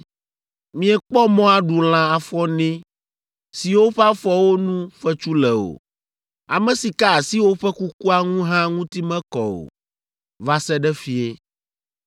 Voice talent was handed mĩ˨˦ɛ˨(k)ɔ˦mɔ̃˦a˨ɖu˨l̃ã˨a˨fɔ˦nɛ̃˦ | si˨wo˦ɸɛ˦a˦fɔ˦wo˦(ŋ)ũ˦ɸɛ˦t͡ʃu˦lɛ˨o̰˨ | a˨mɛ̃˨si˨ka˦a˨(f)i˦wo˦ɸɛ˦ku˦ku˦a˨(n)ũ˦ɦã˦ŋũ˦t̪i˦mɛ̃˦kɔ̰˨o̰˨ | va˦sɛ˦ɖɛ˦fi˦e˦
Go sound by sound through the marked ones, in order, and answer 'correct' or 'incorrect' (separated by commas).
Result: incorrect, incorrect, incorrect, incorrect